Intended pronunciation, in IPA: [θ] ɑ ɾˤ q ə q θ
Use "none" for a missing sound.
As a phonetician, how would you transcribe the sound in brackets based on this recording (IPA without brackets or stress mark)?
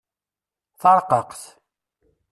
θ